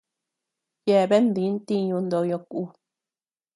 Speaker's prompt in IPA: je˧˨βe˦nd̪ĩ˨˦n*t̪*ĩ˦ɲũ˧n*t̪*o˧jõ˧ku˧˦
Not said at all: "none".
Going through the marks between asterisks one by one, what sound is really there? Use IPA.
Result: t̪, d̪

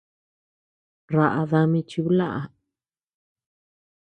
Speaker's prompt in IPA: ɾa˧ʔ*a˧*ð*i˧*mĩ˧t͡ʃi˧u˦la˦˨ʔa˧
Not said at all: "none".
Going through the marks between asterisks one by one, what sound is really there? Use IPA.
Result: a˧, a˧

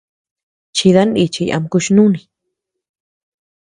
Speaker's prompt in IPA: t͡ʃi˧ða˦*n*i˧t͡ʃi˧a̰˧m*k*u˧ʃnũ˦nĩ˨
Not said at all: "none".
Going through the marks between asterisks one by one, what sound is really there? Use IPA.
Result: n, k

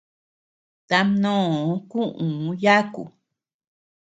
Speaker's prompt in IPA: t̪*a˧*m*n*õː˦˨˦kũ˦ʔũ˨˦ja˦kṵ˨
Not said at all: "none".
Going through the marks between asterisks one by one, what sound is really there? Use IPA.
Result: a˧, n

